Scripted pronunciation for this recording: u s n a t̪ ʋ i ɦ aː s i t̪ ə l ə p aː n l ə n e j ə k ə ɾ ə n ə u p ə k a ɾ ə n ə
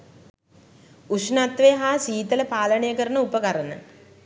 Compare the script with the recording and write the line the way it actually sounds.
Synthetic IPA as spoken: u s n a t̪ ʋ e ɦ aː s iː t̪ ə l ə p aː l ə n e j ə k ə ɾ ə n ə u p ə k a ɾ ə n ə